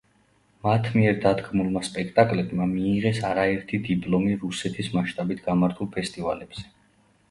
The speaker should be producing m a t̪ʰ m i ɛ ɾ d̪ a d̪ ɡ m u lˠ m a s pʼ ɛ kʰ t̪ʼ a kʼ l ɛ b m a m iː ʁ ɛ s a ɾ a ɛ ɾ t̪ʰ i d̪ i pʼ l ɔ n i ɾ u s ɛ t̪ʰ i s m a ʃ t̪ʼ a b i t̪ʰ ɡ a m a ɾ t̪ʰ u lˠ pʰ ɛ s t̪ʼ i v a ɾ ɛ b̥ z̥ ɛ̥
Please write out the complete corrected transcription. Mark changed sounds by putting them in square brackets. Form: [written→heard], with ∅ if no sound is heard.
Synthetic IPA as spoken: m a t̪ʰ m i ɛ ɾ d̪ a d̪ ɡ m u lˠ m a s pʼ ɛ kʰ t̪ʼ a kʼ l ɛ b m a m iː ʁ ɛ s a ɾ a ɛ ɾ t̪ʰ i d̪ i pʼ l ɔ [n→m] i ɾ u s ɛ t̪ʰ i s m a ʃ t̪ʼ a b i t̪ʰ ɡ a m a ɾ t̪ʰ u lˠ pʰ ɛ s t̪ʼ i v a [ɾ→l] ɛ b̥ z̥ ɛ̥